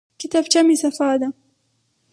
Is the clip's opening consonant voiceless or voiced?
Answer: voiceless